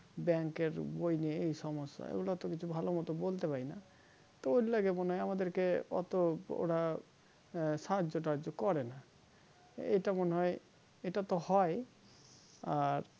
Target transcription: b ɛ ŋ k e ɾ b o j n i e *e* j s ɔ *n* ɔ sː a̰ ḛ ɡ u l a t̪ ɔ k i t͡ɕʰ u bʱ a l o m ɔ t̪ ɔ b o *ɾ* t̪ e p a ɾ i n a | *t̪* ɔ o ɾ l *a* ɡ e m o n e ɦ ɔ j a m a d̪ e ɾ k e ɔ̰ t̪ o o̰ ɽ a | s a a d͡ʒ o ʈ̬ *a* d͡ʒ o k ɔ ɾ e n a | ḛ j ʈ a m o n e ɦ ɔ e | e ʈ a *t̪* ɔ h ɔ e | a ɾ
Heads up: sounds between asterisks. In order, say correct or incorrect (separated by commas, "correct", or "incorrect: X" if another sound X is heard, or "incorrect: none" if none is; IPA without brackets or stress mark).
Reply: correct, incorrect: m, incorrect: l, correct, correct, correct, correct